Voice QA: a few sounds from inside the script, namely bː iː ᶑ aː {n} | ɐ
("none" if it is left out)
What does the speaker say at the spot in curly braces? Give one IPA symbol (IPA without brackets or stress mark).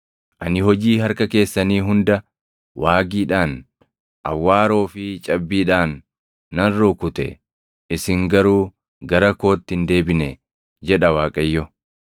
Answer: nː